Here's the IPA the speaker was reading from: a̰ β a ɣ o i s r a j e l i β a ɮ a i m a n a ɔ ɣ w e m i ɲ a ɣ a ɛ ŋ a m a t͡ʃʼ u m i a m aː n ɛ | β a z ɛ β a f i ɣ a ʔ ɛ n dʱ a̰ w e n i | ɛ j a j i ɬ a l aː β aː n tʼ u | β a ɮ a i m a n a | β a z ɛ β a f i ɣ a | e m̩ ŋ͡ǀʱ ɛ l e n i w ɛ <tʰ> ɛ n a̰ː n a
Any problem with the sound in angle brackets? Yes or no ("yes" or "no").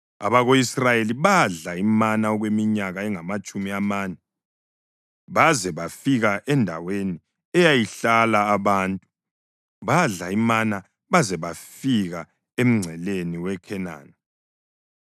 yes